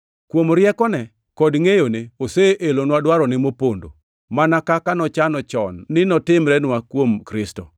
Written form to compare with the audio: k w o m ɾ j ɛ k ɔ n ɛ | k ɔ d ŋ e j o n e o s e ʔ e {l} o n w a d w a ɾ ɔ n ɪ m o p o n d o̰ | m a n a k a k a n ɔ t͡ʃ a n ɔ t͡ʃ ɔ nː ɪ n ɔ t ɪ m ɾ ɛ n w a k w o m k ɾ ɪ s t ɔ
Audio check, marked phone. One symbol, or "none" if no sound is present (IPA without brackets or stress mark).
l